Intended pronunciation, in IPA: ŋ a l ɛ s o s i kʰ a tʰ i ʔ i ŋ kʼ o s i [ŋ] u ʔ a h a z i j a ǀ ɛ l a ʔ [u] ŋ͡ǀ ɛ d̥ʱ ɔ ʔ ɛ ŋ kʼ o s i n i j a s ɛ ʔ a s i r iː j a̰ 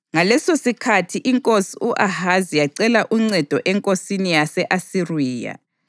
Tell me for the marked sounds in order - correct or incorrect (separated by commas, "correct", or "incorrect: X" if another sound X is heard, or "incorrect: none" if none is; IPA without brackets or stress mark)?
incorrect: none, correct